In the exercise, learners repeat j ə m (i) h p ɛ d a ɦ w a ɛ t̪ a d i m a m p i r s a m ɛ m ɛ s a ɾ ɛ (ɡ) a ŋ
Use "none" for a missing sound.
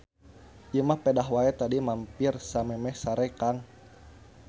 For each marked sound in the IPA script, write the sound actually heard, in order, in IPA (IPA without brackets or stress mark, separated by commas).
a, k